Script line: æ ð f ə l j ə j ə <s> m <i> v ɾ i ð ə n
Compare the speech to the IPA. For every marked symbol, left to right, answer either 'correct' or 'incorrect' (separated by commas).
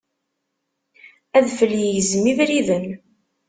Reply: incorrect, correct